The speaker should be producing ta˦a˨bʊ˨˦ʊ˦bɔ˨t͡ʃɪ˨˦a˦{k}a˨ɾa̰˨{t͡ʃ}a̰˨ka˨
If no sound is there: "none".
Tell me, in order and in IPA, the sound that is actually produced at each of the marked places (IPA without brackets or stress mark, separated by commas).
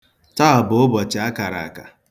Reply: k, none